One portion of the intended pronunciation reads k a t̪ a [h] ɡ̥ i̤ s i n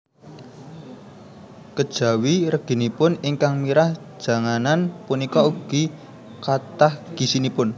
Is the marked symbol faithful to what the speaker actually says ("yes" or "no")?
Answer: yes